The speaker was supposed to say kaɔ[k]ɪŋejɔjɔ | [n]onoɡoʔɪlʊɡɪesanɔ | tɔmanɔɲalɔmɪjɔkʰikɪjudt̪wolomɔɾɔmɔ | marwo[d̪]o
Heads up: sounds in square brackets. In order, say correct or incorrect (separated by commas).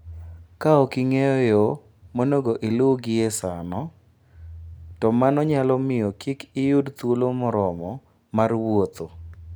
correct, incorrect, incorrect